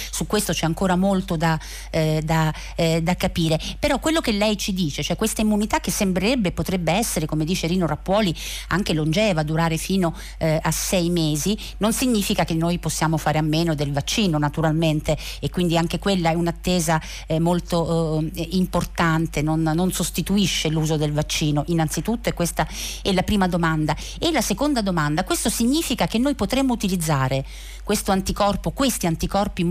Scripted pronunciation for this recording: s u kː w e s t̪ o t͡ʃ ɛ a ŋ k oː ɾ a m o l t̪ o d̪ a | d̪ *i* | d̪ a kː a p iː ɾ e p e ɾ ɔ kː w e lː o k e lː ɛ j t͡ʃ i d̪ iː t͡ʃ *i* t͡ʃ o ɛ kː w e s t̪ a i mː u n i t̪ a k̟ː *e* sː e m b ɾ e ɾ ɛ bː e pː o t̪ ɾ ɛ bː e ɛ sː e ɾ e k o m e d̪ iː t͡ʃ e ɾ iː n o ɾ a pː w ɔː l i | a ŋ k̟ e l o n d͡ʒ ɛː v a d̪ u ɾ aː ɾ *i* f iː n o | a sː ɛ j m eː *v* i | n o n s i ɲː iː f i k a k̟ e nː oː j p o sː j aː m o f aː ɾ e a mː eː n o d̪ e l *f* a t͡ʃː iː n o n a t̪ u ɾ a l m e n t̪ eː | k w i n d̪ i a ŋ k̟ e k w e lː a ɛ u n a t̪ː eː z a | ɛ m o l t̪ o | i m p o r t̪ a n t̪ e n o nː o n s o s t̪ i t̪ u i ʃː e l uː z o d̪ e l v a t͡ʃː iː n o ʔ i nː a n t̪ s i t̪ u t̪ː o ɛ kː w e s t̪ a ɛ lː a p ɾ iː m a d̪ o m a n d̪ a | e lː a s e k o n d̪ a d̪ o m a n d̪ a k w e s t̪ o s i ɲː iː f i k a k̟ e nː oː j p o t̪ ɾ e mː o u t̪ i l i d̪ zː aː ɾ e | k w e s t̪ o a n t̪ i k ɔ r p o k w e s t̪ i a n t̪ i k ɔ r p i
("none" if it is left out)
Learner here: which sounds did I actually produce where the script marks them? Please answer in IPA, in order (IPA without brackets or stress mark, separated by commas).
a, e, e, e, z, v